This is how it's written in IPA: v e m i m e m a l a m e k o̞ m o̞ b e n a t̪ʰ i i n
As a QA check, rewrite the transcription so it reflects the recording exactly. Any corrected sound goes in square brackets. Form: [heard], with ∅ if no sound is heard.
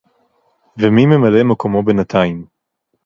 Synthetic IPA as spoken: v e m i m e m a l [e] m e k o̞ m o̞ b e n a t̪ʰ [a] i [m]